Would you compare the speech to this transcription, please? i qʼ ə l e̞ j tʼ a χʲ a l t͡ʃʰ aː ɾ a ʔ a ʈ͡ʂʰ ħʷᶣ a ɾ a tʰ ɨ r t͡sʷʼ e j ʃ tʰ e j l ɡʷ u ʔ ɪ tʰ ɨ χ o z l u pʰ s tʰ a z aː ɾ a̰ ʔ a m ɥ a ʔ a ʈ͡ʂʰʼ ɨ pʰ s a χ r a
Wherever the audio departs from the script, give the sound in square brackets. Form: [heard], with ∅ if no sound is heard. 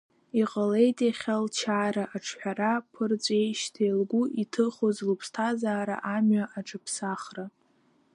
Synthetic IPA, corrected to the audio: i qʼ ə l e̞ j tʼ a χʲ a l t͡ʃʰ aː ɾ a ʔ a ʈ͡ʂʰ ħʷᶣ a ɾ a [pʰ] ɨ r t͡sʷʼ e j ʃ tʰ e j l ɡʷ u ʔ [i] tʰ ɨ χ o z l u pʰ s tʰ a z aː ɾ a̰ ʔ a m ɥ a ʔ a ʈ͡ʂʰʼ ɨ pʰ s a χ r a